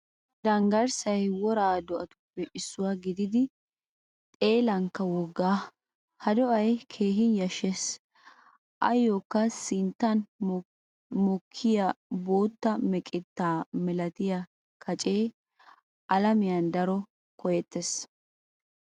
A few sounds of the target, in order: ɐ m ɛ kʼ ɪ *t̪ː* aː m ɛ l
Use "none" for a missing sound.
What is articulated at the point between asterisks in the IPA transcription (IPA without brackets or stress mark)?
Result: t̪ː